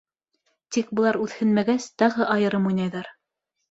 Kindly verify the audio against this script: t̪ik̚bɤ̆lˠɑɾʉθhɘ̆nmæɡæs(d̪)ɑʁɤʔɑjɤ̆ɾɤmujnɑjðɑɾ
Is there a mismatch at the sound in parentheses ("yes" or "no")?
yes